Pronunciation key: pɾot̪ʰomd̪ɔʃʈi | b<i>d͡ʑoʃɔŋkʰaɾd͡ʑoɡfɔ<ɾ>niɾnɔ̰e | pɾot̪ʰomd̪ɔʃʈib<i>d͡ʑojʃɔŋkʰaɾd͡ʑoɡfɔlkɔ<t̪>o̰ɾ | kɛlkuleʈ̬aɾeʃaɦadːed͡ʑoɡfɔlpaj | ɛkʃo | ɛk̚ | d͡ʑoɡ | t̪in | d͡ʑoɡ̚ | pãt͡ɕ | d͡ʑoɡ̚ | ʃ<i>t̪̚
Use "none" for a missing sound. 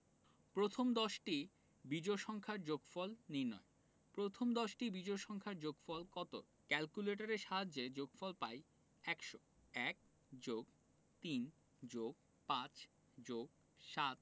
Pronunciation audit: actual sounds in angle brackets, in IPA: i, l, i, t̪, a

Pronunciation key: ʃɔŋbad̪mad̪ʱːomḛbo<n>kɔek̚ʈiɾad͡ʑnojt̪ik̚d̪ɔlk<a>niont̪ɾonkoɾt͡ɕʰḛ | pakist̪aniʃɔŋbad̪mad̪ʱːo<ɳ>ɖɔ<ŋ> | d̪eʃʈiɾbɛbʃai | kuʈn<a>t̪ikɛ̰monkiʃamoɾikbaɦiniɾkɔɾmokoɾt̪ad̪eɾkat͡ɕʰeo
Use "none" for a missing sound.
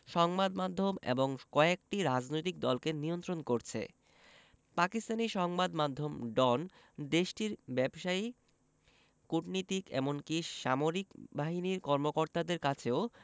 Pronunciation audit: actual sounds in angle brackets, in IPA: ŋ, e, m, n, i

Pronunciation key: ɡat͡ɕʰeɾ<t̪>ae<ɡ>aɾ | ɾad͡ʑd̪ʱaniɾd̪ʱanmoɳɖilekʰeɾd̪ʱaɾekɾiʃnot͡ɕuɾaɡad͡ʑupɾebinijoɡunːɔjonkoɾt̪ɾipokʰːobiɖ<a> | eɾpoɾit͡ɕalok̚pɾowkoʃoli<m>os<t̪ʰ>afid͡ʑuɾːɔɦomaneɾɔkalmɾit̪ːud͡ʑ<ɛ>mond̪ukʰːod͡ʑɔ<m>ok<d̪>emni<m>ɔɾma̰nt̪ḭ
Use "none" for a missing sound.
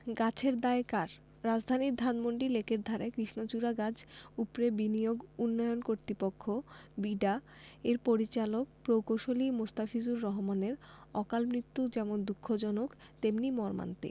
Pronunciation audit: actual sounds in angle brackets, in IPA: d̪, k, a, m, t̪, ɛ, n, t̪, m

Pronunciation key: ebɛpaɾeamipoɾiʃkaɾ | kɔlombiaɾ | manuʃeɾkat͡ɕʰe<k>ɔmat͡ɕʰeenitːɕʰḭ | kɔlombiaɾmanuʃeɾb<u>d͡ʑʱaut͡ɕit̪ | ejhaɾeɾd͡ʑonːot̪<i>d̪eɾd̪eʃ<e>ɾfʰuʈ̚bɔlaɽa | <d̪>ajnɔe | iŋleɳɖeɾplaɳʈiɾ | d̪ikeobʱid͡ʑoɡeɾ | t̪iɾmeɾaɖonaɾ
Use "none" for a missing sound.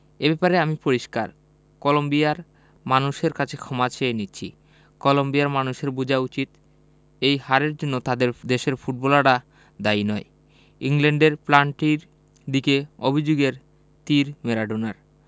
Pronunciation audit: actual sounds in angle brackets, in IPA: kʰ, u, a, e, d̪

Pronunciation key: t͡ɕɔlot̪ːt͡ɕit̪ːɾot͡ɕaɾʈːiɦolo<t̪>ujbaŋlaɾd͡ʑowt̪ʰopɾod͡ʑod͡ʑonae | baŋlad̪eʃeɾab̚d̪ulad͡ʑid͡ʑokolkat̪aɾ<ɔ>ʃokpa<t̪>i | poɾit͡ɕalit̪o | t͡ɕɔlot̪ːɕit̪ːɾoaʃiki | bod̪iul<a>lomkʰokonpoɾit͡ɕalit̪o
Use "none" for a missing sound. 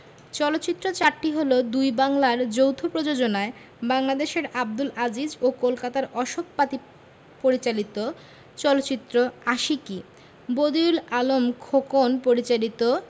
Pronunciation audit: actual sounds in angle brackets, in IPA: d̪, ɔ, t̪, a

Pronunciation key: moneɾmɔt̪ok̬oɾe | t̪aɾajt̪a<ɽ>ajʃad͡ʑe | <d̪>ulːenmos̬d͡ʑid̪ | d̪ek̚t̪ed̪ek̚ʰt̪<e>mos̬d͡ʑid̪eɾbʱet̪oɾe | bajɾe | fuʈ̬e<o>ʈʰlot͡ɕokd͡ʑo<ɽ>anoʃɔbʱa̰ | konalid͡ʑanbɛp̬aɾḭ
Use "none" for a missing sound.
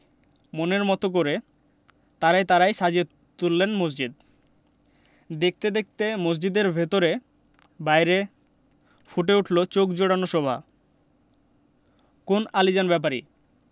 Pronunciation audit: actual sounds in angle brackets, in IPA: ɾ, t̪, e, u, ɽ

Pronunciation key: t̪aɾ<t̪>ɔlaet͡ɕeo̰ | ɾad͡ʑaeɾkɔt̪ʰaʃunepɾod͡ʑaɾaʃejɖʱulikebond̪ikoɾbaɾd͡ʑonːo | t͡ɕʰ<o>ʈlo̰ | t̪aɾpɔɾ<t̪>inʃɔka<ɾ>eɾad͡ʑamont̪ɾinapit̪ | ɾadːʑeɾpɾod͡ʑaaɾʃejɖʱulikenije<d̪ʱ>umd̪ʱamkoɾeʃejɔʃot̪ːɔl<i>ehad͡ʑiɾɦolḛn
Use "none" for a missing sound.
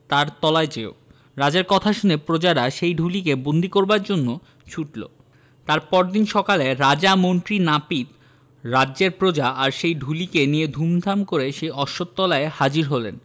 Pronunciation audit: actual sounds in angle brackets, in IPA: t̪, u, d̪, l, d̪ʱ, a

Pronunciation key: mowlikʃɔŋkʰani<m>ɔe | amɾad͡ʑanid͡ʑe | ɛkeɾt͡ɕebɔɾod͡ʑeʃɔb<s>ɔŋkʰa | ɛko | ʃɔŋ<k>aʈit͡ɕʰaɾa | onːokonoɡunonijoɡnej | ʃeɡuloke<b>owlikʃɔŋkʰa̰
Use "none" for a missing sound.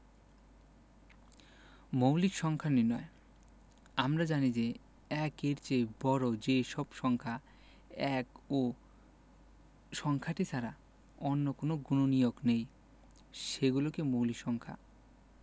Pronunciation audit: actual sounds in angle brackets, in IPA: n, ʃ, kʰ, m

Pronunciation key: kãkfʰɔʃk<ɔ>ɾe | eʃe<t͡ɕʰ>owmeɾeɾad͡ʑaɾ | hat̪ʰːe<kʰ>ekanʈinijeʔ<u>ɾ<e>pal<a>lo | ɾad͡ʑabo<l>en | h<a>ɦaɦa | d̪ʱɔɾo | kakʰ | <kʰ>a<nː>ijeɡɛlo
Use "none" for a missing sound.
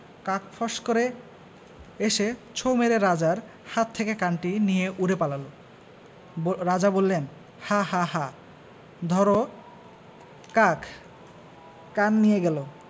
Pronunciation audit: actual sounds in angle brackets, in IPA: o, t͡ɕʰ, k, u, e, a, lː, a, k, nː

